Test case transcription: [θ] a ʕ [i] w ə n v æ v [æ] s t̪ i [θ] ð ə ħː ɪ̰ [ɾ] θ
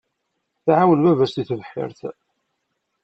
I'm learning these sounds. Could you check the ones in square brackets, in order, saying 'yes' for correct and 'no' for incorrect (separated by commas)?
yes, no, yes, yes, yes